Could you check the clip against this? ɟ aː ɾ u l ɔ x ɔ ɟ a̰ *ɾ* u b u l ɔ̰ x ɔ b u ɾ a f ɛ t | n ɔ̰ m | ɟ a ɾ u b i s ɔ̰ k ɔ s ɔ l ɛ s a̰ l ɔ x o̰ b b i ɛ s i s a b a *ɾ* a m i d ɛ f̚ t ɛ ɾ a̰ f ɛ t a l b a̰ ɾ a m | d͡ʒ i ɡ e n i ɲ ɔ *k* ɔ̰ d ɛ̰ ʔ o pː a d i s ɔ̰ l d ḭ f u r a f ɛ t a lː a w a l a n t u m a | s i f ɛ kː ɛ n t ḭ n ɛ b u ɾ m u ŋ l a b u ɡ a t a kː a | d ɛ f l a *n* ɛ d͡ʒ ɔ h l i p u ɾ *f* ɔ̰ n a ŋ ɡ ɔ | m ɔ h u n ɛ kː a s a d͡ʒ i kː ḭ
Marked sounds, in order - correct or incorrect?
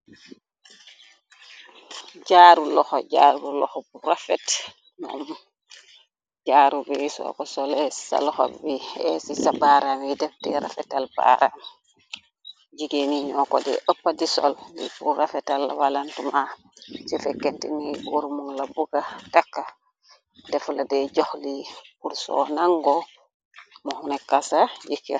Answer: correct, correct, correct, incorrect, incorrect

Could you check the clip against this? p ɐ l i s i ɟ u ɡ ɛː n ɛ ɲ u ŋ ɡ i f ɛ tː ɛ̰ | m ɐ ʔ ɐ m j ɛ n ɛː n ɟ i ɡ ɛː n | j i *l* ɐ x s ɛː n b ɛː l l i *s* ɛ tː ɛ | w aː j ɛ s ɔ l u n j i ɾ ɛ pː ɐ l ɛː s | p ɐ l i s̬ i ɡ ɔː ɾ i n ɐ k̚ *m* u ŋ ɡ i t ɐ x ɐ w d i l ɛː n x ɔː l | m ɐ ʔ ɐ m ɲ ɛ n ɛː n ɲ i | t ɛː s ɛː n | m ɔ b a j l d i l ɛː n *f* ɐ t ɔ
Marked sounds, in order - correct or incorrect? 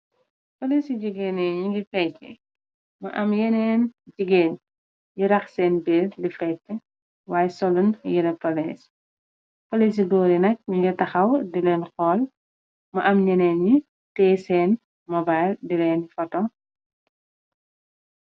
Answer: incorrect, incorrect, incorrect, correct

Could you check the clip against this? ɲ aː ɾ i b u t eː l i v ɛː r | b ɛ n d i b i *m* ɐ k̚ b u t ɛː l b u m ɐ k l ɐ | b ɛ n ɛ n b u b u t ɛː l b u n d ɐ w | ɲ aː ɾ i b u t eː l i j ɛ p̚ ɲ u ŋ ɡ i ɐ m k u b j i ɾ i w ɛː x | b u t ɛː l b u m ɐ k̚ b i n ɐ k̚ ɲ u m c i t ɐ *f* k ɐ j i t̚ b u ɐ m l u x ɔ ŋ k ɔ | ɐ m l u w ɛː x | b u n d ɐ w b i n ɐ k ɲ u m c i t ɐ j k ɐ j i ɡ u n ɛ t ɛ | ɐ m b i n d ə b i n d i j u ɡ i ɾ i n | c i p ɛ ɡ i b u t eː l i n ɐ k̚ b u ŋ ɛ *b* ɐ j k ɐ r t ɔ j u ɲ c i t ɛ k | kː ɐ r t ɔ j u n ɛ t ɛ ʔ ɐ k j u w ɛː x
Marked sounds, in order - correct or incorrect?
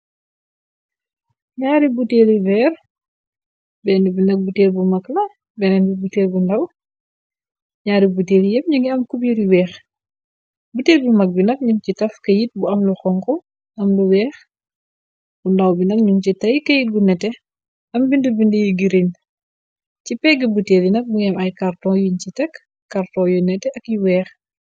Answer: incorrect, correct, incorrect

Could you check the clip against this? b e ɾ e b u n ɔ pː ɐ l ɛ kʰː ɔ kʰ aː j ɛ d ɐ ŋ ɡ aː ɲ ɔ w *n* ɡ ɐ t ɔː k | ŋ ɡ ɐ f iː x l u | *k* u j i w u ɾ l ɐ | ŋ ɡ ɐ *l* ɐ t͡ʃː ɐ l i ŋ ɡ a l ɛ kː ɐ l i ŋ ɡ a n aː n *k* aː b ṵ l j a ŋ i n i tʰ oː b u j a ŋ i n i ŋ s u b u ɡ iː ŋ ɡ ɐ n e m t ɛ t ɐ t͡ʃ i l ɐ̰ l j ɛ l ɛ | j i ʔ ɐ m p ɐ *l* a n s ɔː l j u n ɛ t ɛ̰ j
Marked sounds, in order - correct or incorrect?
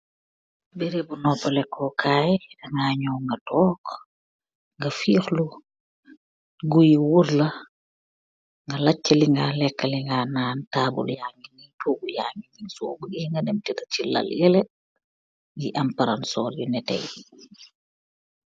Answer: incorrect, incorrect, correct, incorrect, incorrect

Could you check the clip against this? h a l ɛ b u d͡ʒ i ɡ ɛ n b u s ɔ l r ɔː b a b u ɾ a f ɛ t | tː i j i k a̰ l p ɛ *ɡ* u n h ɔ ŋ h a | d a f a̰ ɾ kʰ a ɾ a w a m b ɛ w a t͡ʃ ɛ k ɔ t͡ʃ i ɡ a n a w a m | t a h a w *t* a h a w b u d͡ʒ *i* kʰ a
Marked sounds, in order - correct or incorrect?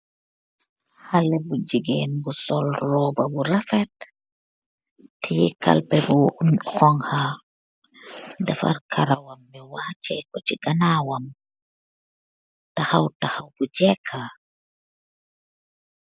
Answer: incorrect, correct, incorrect

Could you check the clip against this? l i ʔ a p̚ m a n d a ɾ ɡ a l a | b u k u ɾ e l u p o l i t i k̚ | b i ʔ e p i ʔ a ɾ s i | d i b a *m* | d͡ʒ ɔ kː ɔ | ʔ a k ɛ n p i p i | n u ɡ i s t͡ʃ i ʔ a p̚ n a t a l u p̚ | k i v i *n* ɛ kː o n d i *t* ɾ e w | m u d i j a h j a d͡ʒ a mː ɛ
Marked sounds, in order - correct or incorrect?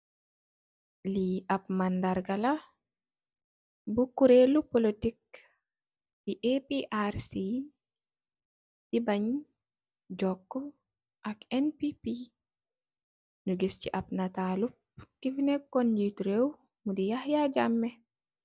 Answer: incorrect, correct, correct

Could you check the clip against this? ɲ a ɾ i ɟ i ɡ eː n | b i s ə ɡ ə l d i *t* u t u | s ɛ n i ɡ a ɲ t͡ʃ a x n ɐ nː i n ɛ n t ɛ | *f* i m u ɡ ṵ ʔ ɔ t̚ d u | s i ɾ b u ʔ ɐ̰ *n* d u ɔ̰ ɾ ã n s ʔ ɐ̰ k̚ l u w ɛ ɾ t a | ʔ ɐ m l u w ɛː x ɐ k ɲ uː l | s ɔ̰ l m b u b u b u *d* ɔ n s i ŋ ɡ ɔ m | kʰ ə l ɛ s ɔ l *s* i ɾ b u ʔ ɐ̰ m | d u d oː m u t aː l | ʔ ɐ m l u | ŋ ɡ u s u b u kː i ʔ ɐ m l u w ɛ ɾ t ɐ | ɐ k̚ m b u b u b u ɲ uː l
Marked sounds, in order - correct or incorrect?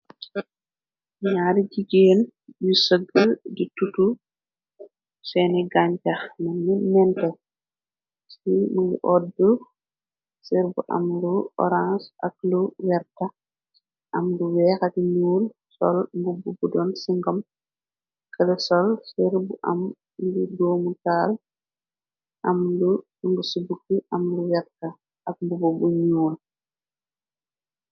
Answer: correct, incorrect, incorrect, correct, correct

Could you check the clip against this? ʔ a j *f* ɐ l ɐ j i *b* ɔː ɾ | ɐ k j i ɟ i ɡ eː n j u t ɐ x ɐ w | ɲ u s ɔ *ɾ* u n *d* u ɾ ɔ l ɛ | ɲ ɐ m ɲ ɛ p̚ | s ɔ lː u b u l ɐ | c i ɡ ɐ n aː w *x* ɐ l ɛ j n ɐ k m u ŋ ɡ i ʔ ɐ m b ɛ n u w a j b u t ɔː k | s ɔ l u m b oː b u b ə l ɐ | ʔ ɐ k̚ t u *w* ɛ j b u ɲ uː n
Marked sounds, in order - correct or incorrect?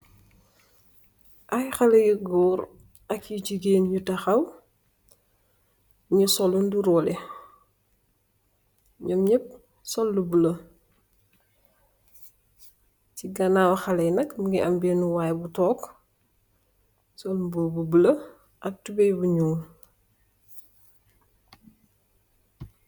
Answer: incorrect, incorrect, incorrect, correct, correct, incorrect

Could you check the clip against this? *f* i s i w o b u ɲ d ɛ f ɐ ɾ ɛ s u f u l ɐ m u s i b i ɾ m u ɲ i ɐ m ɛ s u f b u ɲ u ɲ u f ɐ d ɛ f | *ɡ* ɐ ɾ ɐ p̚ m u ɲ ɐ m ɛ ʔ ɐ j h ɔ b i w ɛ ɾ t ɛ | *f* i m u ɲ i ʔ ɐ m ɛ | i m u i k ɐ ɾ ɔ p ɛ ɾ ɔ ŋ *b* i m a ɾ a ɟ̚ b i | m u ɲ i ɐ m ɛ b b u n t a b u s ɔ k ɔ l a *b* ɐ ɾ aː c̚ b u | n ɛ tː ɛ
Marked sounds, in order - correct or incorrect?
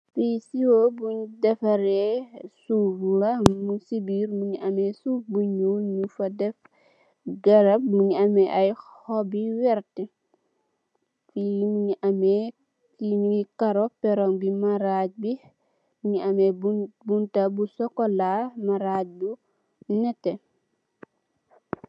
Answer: correct, correct, correct, correct, incorrect

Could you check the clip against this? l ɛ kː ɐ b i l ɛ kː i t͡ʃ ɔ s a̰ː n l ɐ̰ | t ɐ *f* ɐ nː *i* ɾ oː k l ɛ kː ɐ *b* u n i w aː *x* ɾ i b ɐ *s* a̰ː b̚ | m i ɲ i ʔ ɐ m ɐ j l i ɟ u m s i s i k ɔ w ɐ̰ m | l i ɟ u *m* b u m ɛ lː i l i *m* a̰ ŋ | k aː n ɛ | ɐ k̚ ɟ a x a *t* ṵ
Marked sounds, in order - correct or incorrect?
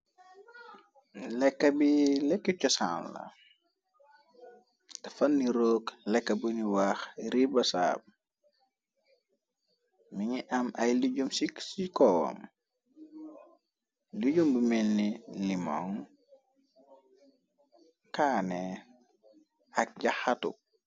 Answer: correct, correct, correct, correct, correct, correct, correct, correct

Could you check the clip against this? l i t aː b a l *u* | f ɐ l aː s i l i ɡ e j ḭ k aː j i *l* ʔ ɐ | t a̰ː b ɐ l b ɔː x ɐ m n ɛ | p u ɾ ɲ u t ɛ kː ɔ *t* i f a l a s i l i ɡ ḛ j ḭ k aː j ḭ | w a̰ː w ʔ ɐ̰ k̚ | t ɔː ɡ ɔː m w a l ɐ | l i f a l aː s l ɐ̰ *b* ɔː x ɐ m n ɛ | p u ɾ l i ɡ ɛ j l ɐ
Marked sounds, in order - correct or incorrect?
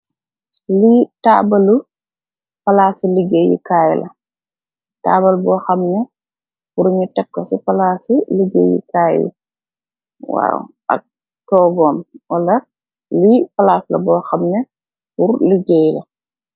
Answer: correct, correct, incorrect, correct

